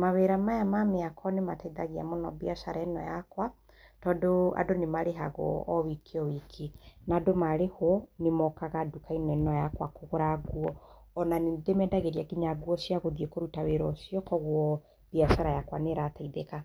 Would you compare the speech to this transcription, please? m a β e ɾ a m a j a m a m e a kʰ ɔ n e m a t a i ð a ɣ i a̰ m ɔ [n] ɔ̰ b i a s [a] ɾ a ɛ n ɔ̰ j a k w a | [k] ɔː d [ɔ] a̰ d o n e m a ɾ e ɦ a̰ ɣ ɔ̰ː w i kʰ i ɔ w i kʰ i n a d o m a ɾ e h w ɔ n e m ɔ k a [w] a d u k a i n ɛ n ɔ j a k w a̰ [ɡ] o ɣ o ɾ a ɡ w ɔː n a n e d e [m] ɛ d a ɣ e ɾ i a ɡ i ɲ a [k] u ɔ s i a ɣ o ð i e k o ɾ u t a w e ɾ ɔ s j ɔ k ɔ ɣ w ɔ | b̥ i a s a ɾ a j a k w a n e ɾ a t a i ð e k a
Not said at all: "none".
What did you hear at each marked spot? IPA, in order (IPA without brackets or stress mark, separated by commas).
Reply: n, a, t, o, ɣ, k, m, ɡ